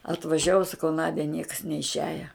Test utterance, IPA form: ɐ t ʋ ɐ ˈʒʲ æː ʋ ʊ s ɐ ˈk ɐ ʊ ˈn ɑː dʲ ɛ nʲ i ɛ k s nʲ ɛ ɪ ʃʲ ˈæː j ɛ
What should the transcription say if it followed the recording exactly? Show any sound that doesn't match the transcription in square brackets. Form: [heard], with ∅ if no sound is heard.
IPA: ɐ t ʋ ɐ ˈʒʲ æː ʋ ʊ s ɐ ˈk ɐ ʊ ˈn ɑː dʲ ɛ nʲ i ɛ k s nʲ ɛ ɪ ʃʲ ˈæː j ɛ